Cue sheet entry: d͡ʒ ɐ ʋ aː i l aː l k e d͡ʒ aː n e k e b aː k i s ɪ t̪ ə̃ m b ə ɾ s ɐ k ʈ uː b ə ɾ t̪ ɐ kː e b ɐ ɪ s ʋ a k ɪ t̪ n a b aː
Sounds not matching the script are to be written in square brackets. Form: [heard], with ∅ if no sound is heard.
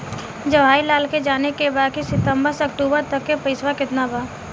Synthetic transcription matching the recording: d͡ʒ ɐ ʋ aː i l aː l k e d͡ʒ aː n e k e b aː k i s ɪ t̪ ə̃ m b ə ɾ s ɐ k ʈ uː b ə ɾ t̪ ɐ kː e [p] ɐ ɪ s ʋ a k ɪ t̪ n a b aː

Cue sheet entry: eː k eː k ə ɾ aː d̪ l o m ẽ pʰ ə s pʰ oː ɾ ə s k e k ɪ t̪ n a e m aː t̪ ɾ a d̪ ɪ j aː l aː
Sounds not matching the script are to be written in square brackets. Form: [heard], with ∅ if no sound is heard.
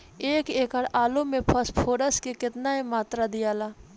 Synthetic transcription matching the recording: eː k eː k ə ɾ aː [∅] l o m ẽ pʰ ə s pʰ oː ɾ ə s k e k ɪ t̪ n a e m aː t̪ ɾ a d̪ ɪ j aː l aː

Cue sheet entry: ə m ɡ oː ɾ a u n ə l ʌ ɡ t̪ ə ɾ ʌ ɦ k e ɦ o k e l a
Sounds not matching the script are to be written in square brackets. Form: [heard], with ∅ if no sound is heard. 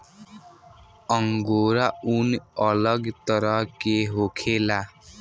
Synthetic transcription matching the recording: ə [ŋ] ɡ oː ɾ a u n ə l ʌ ɡ t̪ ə ɾ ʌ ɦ k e ɦ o [kʰ] e l a

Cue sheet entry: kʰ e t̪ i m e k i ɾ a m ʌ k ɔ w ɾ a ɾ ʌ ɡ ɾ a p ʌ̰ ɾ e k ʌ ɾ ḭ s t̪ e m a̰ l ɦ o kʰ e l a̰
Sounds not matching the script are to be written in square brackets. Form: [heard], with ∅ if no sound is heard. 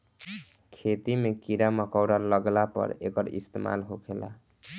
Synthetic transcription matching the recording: kʰ e t̪ i m e k i ɾ a m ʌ k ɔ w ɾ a [l] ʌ ɡ [l] a p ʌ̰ ɾ e k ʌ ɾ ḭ s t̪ e m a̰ l ɦ o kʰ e l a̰

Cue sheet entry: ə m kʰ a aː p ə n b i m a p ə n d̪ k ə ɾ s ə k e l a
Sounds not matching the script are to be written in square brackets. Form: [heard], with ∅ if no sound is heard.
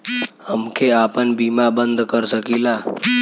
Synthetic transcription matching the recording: ə m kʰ [e] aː p ə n b i m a [b] ə n d̪ k ə ɾ s ə k [i] l a

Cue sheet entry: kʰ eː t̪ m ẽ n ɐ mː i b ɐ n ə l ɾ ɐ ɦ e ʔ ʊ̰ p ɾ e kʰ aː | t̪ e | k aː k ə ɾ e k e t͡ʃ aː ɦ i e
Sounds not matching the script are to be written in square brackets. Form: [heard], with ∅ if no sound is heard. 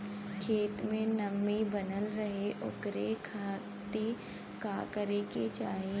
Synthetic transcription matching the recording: kʰ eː t̪ m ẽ n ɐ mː i b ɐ n ə l ɾ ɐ ɦ e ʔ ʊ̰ [k] ɾ e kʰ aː | t̪ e | k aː k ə ɾ e k e t͡ʃ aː ɦ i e

